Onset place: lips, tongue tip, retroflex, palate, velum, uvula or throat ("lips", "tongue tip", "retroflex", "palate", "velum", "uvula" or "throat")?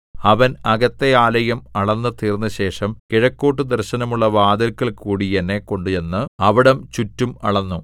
lips